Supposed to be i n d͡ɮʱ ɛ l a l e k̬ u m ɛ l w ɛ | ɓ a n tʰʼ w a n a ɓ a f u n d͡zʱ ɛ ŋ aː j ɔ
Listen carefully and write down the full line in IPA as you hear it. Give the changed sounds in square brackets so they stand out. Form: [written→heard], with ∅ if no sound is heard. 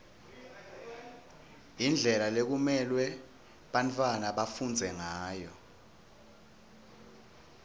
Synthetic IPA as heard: i n d͡ɮʱ ɛ l a l e k̬ u m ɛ l w ɛ | ɓ a n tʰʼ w a n a ɓ a f u n d͡zʱ ɛ ŋ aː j ɔ